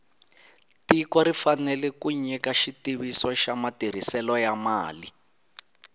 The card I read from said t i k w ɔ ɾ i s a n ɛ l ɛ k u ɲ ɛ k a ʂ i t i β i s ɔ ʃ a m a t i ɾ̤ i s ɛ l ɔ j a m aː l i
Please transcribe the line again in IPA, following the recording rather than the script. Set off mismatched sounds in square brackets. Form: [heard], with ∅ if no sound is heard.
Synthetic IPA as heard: t i k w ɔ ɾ i [f] a n ɛ l ɛ k u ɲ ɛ k a [ʃ] i t i β i s ɔ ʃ a m a t i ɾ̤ i s ɛ l ɔ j a m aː l i